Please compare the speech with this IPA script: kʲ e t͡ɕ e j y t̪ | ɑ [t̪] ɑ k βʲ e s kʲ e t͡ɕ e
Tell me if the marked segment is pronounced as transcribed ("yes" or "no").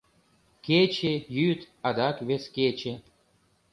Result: no